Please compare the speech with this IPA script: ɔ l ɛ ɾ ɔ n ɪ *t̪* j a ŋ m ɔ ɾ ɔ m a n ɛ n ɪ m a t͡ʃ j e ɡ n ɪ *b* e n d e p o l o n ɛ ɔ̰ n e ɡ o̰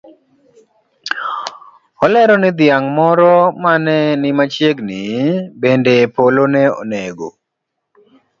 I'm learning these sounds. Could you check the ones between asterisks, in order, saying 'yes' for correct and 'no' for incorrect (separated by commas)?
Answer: no, yes